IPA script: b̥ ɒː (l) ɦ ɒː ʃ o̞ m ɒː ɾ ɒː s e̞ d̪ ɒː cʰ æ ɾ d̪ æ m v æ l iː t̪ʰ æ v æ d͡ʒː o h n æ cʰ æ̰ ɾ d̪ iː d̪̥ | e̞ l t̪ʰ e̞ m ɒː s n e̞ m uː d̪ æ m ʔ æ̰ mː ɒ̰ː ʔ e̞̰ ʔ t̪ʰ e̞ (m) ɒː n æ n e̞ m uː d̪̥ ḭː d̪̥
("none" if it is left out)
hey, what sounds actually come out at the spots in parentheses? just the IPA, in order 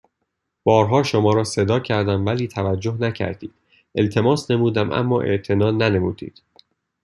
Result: ɾ, n

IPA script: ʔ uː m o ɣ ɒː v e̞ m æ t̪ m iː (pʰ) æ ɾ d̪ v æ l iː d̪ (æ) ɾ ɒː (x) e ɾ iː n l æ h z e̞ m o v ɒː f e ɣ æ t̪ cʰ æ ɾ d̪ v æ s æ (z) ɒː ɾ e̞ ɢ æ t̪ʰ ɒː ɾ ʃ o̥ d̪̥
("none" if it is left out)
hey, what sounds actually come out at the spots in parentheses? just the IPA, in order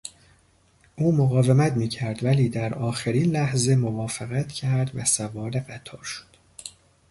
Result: cʰ, æ, x, v

